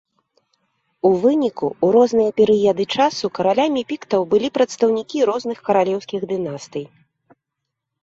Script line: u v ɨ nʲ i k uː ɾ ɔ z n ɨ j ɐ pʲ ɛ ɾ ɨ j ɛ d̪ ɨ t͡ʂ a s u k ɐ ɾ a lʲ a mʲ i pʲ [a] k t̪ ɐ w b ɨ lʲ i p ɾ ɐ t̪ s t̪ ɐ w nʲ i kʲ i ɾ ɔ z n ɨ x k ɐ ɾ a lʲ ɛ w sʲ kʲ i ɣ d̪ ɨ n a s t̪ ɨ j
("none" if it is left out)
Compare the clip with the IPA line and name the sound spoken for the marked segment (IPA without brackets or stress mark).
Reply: i